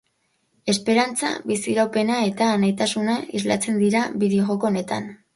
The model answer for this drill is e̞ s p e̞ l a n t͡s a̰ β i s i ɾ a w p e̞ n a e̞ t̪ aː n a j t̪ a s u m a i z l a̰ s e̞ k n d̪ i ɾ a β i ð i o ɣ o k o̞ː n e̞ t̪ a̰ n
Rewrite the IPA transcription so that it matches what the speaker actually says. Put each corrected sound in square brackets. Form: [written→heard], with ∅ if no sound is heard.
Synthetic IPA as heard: e̞ s p e̞ [l→ɾ] a n t͡s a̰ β i s i ɾ a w p e̞ n a e̞ t̪ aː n a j t̪ a s u [m→n] a i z l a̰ [s→t͡s] e̞ [k→∅] n d̪ i ɾ a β i ð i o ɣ o k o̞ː n e̞ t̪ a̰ n